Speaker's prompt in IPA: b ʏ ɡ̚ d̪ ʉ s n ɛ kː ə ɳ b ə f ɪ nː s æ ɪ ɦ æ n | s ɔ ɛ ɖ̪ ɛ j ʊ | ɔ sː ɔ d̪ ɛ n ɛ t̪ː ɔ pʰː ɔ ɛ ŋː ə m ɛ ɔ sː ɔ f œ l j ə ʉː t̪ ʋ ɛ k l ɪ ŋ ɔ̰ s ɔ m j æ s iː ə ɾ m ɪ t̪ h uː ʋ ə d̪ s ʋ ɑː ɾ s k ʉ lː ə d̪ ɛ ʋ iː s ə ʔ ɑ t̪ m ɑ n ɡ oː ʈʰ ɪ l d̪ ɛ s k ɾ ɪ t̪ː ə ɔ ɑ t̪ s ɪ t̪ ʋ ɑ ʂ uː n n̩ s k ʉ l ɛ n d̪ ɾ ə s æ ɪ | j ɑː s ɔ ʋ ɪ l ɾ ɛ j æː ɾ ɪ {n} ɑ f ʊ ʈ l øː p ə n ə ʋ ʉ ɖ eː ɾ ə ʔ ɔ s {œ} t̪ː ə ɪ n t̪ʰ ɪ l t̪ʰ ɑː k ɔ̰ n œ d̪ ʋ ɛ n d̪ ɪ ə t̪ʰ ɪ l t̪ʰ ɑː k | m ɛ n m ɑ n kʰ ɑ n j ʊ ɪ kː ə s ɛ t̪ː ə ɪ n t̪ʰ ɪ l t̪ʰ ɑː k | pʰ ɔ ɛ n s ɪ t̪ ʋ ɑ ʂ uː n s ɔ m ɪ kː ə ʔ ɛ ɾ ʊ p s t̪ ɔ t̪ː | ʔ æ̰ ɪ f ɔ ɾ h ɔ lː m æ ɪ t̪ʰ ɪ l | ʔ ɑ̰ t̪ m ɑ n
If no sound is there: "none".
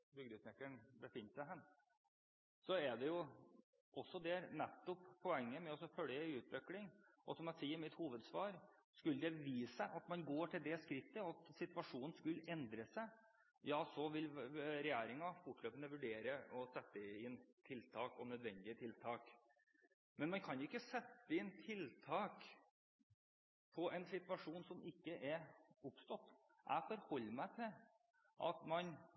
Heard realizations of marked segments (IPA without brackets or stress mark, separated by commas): ŋ, ɛ